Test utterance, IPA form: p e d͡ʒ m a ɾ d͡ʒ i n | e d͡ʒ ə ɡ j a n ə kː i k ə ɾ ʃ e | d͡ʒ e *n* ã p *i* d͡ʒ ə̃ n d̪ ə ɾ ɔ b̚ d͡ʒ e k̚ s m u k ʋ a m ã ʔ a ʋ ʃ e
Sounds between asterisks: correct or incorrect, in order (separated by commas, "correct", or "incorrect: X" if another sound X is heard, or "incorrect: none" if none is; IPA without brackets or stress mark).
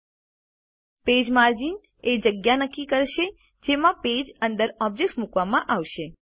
incorrect: m, incorrect: e